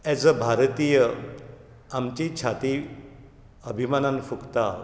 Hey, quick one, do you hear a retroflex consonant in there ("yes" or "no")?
no